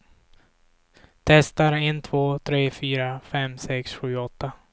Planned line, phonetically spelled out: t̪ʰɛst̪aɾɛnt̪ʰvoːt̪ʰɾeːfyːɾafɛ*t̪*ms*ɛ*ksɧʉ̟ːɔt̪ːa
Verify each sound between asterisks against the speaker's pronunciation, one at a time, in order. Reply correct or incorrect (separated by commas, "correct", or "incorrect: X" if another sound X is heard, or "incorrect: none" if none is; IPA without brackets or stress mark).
incorrect: none, correct